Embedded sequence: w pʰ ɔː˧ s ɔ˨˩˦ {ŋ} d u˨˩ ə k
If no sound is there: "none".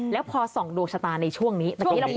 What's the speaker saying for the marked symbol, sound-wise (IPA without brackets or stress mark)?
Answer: ŋ